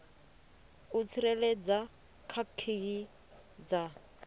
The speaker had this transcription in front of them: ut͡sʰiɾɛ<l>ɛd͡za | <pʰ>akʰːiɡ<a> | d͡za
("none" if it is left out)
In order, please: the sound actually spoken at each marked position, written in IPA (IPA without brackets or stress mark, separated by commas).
l, kʰ, i